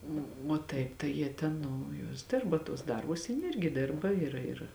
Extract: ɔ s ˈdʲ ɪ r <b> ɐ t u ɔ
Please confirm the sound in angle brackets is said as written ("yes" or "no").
yes